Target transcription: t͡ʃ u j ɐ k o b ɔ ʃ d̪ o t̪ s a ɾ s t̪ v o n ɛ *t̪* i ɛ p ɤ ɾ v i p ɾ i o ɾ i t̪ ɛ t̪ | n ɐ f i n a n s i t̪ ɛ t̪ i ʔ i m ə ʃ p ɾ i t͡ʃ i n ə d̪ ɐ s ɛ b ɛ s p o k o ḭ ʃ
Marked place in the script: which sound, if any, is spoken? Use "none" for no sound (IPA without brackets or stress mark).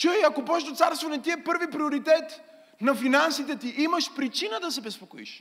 t̪